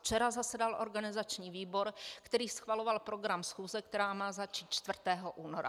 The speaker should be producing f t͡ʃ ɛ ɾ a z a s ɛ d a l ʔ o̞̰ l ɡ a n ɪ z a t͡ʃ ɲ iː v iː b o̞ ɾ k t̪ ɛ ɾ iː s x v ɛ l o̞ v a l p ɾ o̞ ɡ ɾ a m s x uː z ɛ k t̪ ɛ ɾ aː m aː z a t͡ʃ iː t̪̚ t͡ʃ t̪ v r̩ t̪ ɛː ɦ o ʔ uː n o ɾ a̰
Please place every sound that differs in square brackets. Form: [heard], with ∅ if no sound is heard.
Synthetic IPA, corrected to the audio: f t͡ʃ ɛ ɾ a z a s ɛ d a l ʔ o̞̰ [ɾ] ɡ a n ɪ z a t͡ʃ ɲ iː v iː b o̞ ɾ k t̪ ɛ ɾ iː s x v [a] l o̞ v a l p ɾ o̞ ɡ ɾ a m s x uː z ɛ k t̪ ɛ ɾ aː m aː z a t͡ʃ iː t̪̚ t͡ʃ t̪ v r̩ t̪ ɛː ɦ o ʔ uː n o ɾ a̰